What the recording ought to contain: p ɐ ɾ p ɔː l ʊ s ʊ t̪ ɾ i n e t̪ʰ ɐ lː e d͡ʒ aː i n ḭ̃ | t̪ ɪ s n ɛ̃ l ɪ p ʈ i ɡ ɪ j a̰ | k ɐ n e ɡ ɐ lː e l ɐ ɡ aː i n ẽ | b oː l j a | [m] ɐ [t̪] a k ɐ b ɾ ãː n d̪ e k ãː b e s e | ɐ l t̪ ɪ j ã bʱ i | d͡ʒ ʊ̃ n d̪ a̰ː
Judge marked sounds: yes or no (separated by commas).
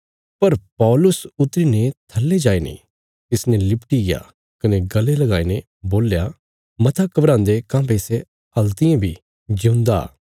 yes, no